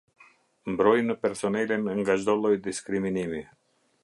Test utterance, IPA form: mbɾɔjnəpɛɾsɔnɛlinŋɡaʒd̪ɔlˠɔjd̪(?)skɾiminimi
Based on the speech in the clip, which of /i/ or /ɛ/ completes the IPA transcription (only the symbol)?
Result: i